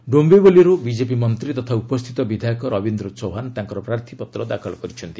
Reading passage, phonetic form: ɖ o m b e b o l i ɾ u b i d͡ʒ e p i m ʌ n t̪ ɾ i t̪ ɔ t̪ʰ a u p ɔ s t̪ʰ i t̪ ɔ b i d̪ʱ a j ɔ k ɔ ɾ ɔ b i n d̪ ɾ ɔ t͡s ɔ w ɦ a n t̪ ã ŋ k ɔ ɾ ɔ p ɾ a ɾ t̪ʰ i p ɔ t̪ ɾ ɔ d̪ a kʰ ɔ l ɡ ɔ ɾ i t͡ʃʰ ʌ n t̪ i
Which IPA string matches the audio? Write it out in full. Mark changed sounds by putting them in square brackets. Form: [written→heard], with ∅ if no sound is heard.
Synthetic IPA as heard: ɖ o m b e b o l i ɾ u b i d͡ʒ e p i m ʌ n t̪ ɾ i t̪ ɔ t̪ʰ a u p ɔ s t̪ʰ i t̪ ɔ b i d̪ʱ a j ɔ k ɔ ɾ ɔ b i n d̪ ɾ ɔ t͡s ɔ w ɦ a n t̪ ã ŋ k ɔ ɾ ɔ p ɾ a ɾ t̪ʰ i p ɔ t̪ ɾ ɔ d̪ a kʰ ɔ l ɡ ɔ ɾ i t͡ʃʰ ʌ n t̪ i